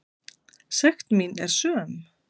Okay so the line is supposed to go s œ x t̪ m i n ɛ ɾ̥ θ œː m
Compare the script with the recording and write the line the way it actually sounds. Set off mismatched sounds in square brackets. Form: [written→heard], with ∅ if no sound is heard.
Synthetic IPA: s [œ→ɛ] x t̪ m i n ɛ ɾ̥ [θ→s] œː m